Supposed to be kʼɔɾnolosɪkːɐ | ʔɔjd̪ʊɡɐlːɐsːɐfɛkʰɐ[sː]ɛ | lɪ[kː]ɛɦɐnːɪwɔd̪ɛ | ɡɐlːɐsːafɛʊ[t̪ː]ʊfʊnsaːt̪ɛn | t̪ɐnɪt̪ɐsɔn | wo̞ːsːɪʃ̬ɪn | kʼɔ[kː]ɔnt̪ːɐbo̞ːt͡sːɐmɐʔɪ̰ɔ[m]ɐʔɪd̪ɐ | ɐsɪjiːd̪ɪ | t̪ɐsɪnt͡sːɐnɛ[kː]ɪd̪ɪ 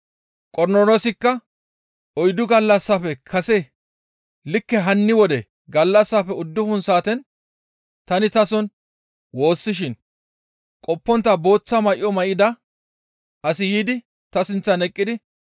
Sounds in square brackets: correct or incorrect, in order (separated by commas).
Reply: incorrect, correct, incorrect, incorrect, correct, incorrect